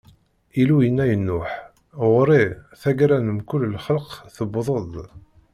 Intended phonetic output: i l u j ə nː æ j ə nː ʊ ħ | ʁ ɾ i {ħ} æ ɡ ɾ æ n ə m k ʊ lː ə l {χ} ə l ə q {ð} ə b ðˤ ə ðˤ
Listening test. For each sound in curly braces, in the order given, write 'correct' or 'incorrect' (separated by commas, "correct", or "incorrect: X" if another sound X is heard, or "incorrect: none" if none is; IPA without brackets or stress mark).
incorrect: θ, correct, incorrect: θ